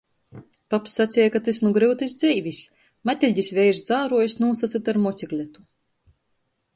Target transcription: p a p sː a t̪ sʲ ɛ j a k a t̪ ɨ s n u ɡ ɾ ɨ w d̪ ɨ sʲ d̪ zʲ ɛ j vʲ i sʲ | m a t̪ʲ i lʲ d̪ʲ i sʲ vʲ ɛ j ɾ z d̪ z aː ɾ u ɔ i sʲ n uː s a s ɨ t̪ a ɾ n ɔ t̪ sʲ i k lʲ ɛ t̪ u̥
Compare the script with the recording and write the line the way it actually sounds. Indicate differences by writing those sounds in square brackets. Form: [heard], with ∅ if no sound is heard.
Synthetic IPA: p a p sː a t̪ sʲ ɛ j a k a t̪ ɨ s n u ɡ ɾ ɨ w [t̪] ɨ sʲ d̪ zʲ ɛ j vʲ i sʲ | m a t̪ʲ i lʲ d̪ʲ i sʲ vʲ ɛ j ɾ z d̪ z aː ɾ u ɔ [j] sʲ n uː s a s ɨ t̪ a ɾ [m] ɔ t̪ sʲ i k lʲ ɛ t̪ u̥